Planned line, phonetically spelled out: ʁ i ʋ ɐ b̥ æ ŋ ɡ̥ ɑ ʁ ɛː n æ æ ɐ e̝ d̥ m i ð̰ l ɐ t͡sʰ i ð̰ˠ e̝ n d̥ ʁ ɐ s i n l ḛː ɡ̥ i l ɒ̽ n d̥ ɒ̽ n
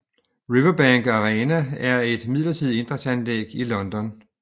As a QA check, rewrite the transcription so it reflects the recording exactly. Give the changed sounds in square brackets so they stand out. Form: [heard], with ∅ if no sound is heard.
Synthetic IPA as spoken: ʁ i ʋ ɐ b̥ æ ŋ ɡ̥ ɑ ʁ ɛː n æ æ ɐ e̝ d̥ m i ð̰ l ɐ t͡sʰ i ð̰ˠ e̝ n d̥ ʁ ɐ s [æ] n l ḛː ɡ̥ i l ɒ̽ n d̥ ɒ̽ n